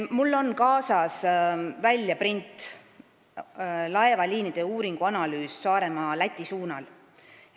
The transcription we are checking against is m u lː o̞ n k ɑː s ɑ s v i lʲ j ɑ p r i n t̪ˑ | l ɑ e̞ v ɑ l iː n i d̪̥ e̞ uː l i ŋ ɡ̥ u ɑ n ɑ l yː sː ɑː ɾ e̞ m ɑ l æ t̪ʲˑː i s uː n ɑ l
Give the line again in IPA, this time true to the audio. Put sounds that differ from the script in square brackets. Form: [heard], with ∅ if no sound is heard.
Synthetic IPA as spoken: m u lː o̞ n k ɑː s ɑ s v [æ] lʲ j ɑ p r i n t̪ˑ | l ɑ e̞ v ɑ l iː n i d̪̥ e̞ uː [ɾ] i ŋ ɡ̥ u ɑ n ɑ l yː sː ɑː ɾ e̞ m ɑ l æ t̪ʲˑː i s uː n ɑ l